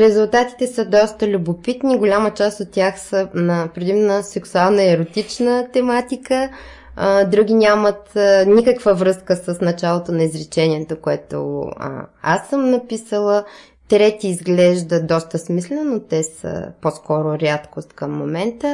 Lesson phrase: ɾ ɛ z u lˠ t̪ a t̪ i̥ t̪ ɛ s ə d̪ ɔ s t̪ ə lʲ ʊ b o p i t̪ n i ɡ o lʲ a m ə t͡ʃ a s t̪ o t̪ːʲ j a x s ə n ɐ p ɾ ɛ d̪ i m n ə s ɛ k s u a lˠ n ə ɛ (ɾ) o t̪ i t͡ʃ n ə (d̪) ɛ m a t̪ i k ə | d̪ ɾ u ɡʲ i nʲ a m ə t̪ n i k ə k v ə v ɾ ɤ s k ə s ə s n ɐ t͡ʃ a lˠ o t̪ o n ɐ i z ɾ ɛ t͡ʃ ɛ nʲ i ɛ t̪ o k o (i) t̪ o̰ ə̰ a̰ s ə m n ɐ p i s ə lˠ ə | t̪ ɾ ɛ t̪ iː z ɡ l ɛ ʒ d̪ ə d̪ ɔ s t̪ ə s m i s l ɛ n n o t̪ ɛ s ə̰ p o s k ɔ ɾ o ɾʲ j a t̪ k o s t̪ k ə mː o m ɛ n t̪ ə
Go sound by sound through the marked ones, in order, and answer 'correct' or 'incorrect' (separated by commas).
correct, incorrect, incorrect